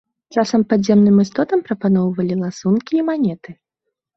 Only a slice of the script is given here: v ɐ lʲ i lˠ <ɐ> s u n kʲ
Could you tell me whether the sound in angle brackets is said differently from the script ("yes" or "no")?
yes